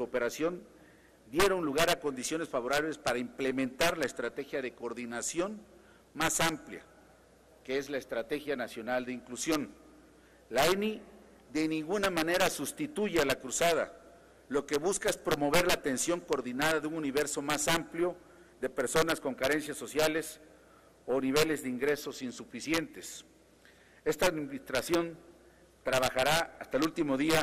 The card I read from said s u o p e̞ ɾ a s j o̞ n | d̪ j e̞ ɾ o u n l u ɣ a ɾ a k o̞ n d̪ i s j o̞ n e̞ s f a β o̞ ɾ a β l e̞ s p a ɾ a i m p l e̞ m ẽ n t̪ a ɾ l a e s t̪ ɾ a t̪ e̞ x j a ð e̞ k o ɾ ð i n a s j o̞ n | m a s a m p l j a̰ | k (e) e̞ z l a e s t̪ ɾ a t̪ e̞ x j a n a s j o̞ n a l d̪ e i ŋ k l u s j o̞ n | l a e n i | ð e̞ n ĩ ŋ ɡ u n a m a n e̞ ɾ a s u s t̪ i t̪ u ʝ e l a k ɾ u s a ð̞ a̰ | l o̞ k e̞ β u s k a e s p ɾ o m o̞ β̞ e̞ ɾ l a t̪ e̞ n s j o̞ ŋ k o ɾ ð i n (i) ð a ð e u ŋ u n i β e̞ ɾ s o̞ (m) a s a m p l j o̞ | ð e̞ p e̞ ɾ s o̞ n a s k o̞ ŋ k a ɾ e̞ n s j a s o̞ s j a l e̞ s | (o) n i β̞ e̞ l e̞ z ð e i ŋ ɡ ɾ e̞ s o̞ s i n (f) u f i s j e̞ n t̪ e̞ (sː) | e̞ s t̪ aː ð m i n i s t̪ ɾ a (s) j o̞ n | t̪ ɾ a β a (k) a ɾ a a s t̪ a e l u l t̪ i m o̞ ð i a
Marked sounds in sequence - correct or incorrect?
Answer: correct, incorrect, correct, correct, incorrect, incorrect, correct, incorrect

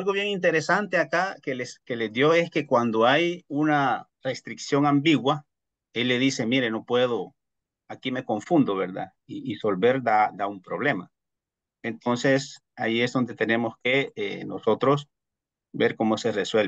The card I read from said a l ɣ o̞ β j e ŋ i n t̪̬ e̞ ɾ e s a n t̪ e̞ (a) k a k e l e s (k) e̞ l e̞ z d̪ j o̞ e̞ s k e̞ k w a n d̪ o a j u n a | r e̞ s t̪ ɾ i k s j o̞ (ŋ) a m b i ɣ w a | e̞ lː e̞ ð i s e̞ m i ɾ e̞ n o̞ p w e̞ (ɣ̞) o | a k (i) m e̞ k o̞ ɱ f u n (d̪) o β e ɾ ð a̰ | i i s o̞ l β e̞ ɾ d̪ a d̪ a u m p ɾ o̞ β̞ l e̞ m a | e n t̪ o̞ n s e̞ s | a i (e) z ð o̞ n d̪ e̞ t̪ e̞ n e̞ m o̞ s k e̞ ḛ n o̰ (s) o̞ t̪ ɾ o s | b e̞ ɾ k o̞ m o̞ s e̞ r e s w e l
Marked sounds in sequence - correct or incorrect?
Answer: correct, correct, correct, incorrect, correct, correct, correct, correct

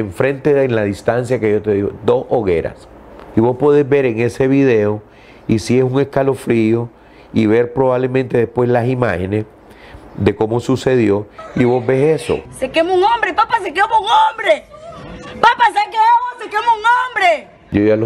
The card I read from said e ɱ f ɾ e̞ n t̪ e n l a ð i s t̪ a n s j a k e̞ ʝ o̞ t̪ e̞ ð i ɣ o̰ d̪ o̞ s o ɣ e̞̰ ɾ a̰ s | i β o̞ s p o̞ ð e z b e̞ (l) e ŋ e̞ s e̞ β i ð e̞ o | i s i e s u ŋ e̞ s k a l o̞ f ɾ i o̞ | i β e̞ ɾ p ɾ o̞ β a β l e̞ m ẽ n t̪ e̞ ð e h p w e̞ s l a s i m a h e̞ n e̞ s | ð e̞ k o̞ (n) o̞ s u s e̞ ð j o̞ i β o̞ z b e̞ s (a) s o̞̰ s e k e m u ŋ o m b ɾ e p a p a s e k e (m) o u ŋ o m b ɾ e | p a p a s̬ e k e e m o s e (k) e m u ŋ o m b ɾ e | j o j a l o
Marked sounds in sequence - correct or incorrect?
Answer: incorrect, incorrect, incorrect, correct, correct

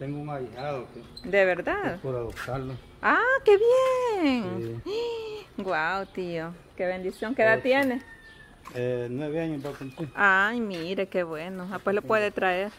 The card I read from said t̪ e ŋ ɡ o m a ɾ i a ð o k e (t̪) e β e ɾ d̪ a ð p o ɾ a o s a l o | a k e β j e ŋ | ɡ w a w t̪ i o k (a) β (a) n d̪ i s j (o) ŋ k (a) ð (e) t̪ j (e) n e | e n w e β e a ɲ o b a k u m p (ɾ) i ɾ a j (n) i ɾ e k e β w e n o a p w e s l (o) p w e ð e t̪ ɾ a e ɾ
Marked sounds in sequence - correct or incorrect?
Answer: incorrect, incorrect, incorrect, correct, incorrect, incorrect, correct, incorrect, incorrect, correct

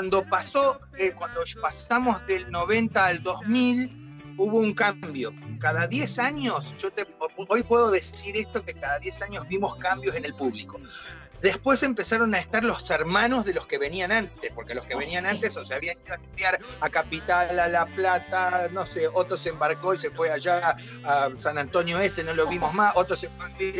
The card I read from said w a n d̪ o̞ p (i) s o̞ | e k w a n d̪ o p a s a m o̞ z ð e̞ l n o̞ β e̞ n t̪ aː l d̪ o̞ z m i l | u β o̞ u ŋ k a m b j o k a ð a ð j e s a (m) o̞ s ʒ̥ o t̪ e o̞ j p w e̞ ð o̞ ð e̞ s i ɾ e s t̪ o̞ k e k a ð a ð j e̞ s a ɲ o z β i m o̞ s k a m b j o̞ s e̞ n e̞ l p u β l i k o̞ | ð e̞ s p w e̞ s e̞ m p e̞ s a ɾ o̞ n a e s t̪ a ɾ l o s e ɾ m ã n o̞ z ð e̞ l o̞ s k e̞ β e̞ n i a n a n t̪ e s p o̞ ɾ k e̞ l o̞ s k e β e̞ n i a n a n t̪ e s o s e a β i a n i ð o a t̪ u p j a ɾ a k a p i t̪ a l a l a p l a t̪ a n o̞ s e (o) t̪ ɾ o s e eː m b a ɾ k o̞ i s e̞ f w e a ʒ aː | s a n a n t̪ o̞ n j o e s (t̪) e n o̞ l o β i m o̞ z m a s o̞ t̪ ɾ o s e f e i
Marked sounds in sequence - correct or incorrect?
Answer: incorrect, incorrect, correct, correct

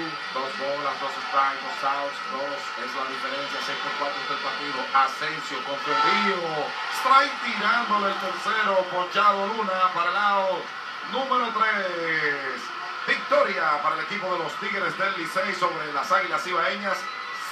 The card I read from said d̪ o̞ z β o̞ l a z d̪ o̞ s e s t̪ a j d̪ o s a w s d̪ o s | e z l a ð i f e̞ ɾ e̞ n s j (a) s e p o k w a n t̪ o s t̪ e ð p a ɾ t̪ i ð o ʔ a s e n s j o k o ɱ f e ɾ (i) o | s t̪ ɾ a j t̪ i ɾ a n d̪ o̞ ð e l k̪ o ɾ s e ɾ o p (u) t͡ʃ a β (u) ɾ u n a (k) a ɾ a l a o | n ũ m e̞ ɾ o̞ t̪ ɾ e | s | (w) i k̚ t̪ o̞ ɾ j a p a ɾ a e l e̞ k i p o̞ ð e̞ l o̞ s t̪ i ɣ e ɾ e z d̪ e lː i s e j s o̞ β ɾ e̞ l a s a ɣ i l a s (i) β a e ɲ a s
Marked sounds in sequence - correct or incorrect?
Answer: correct, correct, incorrect, incorrect, incorrect, incorrect, correct

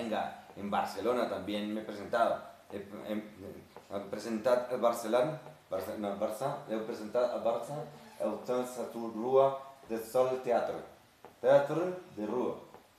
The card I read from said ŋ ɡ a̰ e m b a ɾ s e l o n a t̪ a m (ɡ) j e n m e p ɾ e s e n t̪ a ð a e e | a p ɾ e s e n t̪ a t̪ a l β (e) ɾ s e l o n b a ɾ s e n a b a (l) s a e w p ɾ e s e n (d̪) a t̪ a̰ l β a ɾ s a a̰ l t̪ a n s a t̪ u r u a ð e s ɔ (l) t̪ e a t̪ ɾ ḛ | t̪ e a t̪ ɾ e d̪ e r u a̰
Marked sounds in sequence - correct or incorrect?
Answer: incorrect, incorrect, incorrect, incorrect, correct

